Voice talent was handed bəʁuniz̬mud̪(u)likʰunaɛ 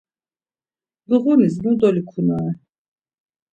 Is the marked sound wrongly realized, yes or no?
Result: yes